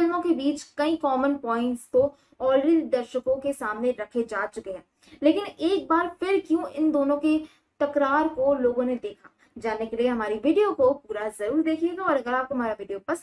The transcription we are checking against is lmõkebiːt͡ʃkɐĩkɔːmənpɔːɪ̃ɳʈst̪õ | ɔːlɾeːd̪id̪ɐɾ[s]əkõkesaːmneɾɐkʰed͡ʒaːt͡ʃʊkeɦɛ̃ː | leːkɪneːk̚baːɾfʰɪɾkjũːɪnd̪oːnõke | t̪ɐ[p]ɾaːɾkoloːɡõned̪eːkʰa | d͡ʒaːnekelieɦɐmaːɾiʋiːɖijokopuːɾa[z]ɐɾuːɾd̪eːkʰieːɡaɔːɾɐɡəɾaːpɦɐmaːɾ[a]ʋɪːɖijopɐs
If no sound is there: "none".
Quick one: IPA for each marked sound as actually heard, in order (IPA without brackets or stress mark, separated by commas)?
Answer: ʃ, k, z, a